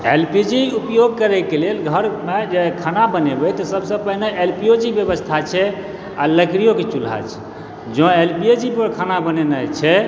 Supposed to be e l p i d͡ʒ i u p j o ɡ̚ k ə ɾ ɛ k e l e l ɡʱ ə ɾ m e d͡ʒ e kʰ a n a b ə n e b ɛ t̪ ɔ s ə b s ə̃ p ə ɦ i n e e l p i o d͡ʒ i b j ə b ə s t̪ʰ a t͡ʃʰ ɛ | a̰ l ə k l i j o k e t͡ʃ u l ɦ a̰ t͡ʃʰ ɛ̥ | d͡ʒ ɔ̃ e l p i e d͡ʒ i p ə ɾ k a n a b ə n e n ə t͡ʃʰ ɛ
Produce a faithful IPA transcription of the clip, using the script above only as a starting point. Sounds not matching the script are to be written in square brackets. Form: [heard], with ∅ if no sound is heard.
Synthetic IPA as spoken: e l p i d͡ʒ i u p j o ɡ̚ k ə ɾ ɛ k e l e l ɡʱ ə ɾ m e d͡ʒ e kʰ a n a b ə n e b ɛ t̪ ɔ s ə b s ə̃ p ə ɦ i n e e l p i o d͡ʒ i b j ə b ə s t̪ʰ a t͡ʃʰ ɛ | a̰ l ə k [ɾ] i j o k e t͡ʃ u l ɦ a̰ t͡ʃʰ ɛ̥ | d͡ʒ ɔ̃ e l p i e d͡ʒ i p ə ɾ [kʰ] a n a b ə n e n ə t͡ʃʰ ɛ